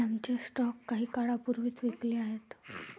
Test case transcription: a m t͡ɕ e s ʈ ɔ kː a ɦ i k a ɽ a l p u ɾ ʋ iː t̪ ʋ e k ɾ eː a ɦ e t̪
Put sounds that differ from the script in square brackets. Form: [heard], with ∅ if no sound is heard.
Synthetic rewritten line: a m t͡ɕ e s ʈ ɔ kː a ɦ [iː] k a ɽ a [∅] p u ɾ ʋ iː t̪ ʋ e k [l] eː a ɦ e t̪